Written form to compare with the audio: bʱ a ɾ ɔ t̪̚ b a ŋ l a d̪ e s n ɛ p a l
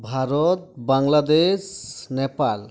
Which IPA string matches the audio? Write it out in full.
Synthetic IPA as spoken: bʱ a ɾ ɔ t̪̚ b a ŋ l a d̪ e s n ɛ p a l